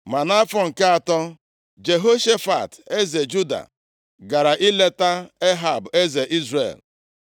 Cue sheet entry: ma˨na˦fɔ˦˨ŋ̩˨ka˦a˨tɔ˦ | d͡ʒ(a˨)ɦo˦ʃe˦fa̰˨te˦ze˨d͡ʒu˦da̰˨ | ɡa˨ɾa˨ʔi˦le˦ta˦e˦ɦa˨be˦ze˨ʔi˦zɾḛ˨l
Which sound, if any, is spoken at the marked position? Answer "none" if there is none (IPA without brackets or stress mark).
e˨